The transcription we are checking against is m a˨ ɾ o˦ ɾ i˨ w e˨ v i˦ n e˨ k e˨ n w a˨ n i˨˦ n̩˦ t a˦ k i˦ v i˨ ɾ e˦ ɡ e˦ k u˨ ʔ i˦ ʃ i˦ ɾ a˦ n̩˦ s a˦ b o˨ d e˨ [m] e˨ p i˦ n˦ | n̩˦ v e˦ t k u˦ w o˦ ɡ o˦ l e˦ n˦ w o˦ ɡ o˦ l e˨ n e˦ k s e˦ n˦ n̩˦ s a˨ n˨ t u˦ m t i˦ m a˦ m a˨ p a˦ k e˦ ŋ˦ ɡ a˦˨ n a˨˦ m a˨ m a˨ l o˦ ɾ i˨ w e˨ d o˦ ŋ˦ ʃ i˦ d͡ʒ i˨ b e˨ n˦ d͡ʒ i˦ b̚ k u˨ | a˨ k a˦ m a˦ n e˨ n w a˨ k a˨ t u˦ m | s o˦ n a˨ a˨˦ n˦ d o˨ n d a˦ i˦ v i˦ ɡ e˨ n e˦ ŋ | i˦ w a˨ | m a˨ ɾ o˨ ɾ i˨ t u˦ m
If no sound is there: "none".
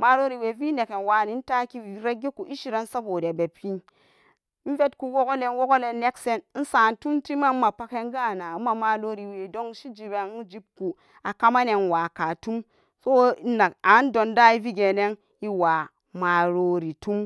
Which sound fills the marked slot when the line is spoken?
b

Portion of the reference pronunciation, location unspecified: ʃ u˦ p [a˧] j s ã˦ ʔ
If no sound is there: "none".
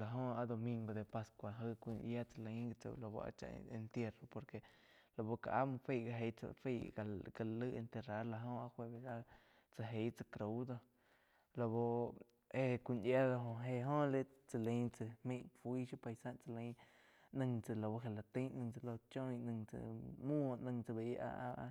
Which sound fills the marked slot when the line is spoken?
a˧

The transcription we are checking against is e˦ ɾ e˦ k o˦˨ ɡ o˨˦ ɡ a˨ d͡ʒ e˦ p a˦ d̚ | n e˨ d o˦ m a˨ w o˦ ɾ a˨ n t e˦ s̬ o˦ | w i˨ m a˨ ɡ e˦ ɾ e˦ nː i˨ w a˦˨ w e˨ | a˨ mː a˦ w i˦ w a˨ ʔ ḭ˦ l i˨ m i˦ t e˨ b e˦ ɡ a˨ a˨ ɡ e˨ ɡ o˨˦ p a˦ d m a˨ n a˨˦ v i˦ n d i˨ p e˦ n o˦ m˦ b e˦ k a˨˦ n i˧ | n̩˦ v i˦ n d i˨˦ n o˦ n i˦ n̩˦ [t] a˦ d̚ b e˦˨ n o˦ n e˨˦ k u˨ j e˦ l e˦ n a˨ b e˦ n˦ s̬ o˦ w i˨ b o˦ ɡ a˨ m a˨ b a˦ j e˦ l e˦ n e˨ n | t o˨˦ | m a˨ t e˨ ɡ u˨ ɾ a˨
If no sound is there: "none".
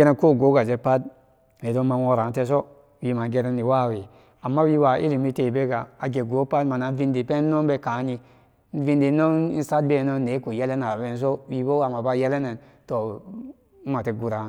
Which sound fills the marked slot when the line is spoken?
s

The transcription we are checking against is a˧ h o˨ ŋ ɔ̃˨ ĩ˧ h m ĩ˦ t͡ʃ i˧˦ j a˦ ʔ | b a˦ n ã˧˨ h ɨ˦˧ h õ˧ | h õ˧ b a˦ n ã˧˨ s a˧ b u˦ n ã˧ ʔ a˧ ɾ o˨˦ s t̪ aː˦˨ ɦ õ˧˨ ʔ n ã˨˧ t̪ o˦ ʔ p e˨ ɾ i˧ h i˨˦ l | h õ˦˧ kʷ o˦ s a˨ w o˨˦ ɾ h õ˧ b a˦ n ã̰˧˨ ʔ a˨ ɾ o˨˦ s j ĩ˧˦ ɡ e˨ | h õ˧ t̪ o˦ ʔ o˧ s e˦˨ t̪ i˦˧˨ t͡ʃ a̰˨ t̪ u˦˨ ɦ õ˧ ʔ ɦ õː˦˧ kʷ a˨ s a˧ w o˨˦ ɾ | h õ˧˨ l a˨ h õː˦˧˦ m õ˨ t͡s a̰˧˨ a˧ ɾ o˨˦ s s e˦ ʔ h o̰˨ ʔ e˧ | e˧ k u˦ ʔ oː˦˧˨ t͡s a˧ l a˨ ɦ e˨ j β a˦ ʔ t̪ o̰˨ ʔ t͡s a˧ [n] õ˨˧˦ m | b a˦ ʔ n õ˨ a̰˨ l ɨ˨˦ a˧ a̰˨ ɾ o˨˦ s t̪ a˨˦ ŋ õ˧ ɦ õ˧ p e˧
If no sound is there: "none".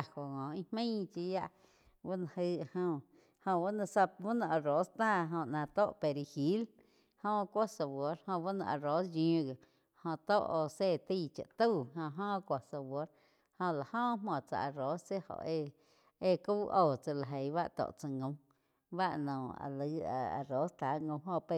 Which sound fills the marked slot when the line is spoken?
ŋ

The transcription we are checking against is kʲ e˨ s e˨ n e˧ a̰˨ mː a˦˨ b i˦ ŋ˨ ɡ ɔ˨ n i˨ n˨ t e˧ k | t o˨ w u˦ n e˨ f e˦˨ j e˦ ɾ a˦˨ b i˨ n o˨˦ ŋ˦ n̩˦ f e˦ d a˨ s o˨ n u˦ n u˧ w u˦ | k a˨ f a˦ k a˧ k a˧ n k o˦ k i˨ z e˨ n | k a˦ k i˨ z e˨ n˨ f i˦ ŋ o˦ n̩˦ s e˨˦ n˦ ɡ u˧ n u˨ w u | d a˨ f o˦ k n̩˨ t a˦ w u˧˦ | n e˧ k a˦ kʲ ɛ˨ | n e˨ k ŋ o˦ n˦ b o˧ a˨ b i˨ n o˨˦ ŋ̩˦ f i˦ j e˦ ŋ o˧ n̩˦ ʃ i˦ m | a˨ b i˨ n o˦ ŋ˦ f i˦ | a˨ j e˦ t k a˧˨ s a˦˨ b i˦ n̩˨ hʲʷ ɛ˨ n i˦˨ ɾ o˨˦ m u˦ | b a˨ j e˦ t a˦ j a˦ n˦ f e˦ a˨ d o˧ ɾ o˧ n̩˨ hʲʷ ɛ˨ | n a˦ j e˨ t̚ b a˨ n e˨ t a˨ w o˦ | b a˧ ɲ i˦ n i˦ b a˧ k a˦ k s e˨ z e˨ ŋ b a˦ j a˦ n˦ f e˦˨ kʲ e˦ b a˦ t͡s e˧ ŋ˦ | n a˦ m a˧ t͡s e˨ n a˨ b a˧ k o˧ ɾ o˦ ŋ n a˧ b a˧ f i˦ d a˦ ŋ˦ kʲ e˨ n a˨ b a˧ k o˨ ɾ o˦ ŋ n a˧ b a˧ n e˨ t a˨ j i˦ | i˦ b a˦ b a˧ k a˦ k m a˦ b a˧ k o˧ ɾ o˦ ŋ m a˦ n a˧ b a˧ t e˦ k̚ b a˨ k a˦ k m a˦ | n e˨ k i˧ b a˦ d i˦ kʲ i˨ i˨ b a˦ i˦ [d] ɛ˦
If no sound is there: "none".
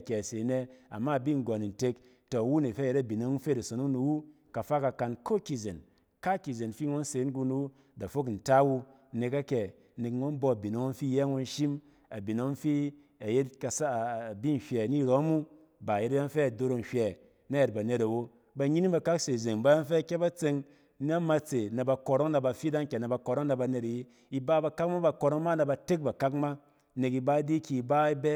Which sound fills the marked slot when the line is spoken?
b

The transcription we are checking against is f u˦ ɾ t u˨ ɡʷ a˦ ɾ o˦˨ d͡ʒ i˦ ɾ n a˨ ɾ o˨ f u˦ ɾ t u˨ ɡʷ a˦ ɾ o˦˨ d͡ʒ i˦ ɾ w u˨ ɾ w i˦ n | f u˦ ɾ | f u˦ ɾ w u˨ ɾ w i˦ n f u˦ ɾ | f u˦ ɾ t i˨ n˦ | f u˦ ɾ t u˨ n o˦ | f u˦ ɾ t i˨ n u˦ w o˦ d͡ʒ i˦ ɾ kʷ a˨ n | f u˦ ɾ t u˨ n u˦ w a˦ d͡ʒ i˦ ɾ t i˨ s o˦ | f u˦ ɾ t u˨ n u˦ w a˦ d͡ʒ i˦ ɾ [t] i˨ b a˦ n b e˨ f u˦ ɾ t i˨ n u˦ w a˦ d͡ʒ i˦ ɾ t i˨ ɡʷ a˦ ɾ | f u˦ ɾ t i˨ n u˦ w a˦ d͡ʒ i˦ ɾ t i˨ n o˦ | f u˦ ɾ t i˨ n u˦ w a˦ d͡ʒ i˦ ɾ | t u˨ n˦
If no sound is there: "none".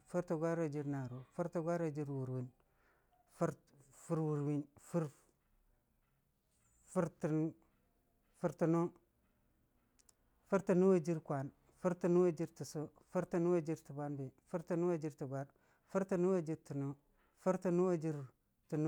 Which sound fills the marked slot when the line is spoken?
t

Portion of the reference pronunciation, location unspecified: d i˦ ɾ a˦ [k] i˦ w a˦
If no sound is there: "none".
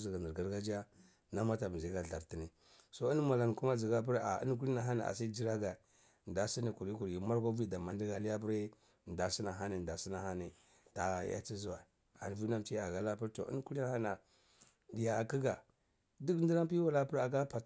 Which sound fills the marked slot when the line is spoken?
p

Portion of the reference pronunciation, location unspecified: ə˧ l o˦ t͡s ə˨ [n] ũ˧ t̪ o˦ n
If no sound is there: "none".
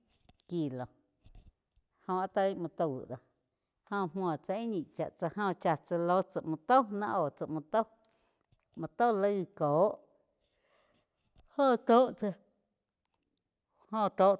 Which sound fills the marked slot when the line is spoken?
m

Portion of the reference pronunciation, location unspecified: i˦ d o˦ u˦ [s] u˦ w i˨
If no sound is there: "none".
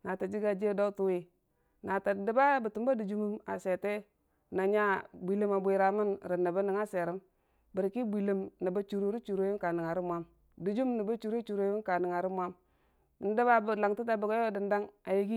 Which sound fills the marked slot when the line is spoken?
t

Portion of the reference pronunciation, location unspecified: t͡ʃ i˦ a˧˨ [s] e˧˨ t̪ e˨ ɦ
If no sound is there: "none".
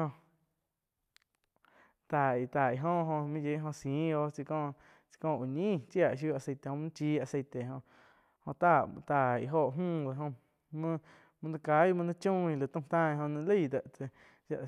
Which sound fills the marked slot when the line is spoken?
s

